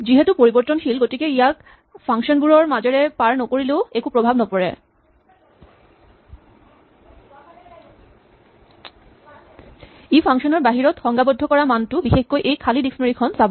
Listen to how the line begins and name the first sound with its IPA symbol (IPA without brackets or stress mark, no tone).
d͡ʑ